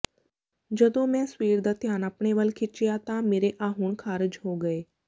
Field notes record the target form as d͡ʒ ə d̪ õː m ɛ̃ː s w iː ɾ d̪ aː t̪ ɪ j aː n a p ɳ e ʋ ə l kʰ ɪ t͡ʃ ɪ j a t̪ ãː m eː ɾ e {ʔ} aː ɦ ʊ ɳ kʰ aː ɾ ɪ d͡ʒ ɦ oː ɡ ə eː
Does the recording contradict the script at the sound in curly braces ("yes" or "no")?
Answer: no